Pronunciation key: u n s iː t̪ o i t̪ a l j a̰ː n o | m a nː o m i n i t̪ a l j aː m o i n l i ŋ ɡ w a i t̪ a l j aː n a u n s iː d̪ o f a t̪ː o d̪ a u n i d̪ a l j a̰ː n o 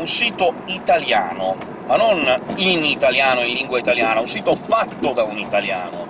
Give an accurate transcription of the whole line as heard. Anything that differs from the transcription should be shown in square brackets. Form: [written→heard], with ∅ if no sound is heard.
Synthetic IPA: u n s iː t̪ o i t̪ a l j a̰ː n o | m a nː o [m→n] i n i t̪ a l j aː [m→n] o i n l i ŋ ɡ w a i t̪ a l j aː n a u n s iː [d̪→t̪] o f a t̪ː o d̪ a u n i [d̪→t̪] a l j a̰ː n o